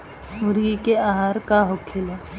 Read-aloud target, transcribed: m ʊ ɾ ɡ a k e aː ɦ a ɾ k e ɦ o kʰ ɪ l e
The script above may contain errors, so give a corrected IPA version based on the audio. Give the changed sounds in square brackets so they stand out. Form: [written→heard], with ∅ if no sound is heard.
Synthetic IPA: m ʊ ɾ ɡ [a→i] k e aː ɦ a ɾ k [e→a] ɦ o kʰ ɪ l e